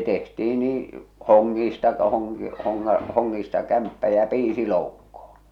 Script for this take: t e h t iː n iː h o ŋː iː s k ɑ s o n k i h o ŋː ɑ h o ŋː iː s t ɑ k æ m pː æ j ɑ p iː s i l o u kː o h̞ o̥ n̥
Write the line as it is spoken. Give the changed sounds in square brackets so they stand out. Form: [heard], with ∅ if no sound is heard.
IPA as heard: t e h t iː n iː h o ŋː iː s [t] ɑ [h] o [ŋ] k i h o ŋː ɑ h o ŋː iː s t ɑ k æ m pː æ j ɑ p iː s i l o u kː o h̞ o̥ n̥